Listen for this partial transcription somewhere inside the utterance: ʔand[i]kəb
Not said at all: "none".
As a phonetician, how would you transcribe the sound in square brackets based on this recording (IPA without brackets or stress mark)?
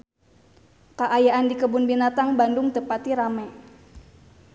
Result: i